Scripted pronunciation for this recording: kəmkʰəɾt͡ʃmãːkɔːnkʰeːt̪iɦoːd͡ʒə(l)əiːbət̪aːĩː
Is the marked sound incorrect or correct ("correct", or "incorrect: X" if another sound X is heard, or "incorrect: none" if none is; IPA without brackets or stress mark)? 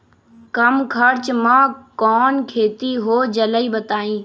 correct